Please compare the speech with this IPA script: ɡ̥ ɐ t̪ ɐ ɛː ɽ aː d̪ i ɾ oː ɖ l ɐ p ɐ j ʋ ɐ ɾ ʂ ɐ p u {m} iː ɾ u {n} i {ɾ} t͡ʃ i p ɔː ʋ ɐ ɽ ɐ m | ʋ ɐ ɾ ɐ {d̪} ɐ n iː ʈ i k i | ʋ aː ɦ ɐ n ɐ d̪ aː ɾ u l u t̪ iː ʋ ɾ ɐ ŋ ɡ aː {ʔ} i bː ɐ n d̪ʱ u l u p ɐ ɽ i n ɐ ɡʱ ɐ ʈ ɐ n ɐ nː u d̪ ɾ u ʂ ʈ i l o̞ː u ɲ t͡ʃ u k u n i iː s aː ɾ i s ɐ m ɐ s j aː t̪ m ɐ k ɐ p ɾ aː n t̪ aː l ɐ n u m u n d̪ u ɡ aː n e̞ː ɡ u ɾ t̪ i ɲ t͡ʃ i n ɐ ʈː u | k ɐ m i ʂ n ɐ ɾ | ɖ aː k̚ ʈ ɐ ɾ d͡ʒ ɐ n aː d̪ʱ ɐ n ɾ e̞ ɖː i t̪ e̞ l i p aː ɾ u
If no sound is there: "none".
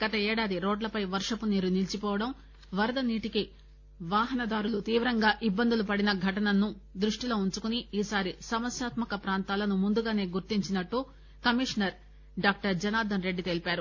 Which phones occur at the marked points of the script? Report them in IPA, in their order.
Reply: n, n, l, d̪, ʔ

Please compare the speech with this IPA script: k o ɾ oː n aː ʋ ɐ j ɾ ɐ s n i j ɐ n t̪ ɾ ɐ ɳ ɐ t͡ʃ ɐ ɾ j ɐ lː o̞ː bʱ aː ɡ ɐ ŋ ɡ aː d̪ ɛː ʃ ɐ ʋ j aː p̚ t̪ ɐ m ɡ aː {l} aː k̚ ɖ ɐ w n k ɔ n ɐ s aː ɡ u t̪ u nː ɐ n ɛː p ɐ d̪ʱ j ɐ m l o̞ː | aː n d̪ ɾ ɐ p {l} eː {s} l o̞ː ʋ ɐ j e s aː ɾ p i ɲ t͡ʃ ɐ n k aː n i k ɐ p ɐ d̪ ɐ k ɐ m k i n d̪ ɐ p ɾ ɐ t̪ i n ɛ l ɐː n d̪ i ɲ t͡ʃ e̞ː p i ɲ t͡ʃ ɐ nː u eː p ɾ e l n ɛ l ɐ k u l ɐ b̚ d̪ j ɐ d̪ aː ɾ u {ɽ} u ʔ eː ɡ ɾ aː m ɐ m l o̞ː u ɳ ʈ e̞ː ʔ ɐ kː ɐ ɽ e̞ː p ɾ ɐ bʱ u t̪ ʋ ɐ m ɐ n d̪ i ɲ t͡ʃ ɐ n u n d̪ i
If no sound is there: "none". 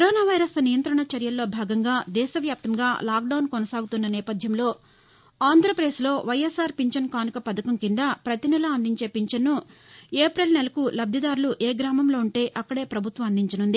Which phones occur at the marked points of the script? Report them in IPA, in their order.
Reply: l, ɾ, s, l

